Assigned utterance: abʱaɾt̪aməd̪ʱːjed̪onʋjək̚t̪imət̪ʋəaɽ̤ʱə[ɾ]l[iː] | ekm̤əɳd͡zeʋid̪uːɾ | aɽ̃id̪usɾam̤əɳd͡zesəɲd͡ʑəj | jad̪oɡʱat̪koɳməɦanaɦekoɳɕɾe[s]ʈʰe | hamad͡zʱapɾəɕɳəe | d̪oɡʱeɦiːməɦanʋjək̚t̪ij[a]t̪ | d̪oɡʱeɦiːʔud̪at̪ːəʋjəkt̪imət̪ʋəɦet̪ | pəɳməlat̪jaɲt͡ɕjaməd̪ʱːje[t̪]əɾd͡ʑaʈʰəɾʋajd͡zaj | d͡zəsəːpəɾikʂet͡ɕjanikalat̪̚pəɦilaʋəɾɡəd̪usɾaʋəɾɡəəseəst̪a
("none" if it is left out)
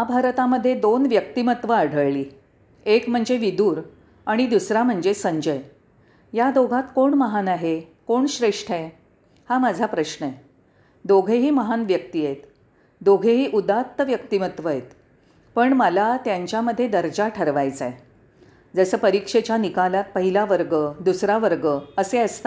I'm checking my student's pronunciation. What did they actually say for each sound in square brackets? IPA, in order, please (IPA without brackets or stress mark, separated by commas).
ɭ, iː, ʂ, e, d̪